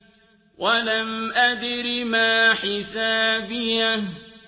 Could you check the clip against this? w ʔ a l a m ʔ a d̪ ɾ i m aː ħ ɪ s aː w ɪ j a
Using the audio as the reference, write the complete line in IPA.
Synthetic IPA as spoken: w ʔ a l a m ʔ a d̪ ɾ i m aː ħ ɪ s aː b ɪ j a

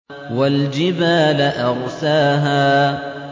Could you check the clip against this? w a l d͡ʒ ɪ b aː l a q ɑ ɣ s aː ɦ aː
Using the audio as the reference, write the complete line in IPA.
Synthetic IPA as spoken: w a l d͡ʒ ɪ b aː l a ʔ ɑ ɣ s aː ɦ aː

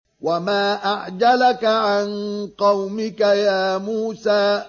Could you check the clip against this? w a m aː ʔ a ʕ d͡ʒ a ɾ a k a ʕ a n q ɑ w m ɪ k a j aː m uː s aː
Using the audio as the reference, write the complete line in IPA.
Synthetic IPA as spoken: w a m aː ʔ a ʕ d͡ʒ a l a k a ʕ a n q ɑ w m ɪ k a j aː m uː s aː

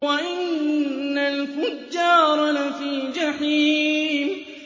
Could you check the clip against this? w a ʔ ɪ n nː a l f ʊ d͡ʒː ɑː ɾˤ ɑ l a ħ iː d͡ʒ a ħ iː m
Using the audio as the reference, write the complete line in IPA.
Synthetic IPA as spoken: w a ʔ ɪ n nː a l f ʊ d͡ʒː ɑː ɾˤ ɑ l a f iː d͡ʒ a ħ iː m

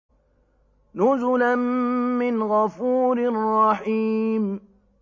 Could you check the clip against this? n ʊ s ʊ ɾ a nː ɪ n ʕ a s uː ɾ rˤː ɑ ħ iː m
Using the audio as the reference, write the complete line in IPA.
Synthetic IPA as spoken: n ʊ z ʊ l a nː ɪ n ɣ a f uː ɾ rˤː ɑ ħ iː m

